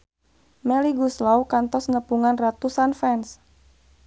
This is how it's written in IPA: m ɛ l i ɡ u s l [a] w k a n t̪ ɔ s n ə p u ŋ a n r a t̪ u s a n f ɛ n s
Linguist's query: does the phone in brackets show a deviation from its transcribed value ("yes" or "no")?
no